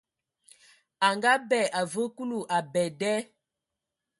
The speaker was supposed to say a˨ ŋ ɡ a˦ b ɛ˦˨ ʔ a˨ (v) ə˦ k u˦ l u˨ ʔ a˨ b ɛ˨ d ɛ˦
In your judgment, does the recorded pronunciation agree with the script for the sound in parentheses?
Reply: yes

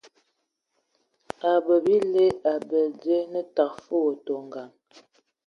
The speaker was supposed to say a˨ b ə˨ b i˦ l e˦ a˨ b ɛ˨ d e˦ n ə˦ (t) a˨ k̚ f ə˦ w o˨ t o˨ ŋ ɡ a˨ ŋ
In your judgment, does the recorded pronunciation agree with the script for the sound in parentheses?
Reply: yes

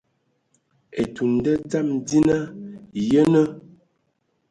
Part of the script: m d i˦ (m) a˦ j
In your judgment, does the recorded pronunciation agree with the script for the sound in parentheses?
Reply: no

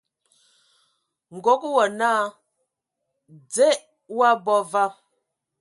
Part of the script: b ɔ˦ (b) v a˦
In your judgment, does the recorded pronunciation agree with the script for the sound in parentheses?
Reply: no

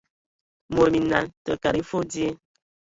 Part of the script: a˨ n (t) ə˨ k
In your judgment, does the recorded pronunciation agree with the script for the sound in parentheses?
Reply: yes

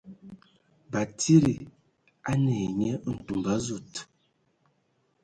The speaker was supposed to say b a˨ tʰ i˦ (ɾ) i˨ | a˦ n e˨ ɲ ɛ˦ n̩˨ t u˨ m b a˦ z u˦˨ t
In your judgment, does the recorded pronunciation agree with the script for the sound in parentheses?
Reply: yes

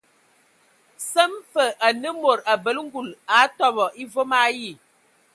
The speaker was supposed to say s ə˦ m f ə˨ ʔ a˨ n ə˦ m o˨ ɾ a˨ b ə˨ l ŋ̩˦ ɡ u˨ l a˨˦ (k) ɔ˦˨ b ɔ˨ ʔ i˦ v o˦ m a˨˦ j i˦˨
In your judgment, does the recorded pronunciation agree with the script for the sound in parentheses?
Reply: no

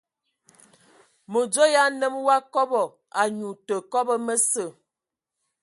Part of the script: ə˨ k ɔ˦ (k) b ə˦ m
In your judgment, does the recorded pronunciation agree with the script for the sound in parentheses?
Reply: no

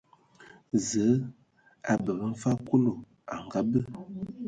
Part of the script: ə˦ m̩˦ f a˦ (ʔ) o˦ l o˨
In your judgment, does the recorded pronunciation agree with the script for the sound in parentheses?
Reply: no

